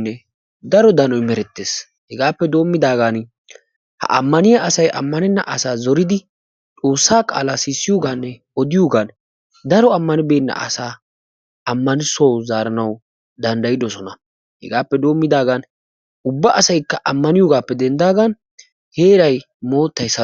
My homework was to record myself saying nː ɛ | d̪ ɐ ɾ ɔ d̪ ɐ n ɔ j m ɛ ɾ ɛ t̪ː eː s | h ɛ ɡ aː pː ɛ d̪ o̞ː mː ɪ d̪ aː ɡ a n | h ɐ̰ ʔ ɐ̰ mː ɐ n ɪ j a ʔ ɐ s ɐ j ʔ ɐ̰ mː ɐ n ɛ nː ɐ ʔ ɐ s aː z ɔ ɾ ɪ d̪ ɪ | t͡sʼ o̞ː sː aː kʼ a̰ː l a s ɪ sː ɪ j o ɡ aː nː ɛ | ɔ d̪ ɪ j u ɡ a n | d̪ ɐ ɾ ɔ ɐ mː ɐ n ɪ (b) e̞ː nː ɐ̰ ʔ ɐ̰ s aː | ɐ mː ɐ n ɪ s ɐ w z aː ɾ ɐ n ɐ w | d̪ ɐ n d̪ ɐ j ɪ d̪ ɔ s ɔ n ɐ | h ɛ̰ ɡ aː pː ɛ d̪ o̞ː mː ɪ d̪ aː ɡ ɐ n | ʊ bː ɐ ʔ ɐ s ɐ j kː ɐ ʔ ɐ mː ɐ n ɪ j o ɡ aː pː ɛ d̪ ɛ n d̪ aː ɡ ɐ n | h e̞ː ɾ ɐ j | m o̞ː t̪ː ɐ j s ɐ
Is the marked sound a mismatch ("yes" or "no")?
no